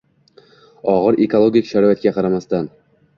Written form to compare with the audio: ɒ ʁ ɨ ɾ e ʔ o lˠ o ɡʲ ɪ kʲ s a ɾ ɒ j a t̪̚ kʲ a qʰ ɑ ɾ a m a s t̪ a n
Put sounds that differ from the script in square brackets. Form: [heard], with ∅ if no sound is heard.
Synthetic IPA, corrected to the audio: ɒ ʁ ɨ ɾ e [k] o lˠ o ɡʲ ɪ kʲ [ʃ] a ɾ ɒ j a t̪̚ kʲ a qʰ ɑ ɾ a m a s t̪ a n